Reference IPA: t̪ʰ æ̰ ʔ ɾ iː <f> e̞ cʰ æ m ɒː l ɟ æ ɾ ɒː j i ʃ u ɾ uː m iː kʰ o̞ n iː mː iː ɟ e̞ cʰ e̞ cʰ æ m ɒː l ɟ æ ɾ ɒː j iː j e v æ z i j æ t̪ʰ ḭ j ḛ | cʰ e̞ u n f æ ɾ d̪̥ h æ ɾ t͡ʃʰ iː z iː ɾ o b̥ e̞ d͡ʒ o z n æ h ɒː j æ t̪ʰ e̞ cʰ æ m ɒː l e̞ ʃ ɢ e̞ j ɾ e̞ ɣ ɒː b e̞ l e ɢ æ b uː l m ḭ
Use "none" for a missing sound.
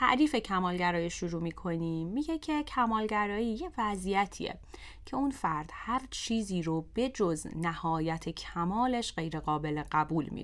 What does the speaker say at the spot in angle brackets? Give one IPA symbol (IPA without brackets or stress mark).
f